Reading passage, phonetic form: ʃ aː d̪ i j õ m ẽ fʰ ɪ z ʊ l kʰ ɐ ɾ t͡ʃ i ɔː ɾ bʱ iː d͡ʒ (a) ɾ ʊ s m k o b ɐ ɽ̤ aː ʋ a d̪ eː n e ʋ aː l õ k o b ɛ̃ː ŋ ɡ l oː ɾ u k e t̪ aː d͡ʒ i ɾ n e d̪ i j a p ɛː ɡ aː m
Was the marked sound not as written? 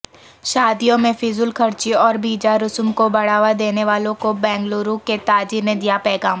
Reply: no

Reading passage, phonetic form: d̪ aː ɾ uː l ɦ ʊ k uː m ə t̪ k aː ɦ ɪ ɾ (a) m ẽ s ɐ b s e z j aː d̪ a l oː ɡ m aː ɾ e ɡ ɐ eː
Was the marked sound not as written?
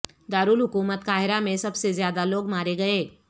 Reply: no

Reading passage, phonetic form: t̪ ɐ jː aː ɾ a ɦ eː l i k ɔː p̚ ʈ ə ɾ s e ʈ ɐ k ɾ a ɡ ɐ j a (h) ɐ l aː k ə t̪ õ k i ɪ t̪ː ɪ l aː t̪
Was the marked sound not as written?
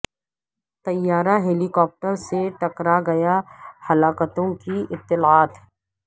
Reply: no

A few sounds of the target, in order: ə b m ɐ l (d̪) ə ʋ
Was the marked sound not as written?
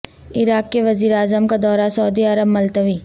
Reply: yes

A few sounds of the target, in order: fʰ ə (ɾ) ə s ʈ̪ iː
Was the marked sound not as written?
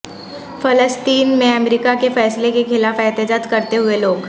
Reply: yes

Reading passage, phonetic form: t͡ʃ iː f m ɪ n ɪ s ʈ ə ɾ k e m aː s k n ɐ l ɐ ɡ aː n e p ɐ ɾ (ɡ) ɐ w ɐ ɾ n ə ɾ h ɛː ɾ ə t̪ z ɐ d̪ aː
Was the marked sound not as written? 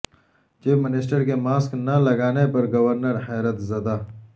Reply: no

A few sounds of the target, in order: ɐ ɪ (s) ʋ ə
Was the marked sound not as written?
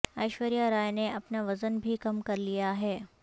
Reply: yes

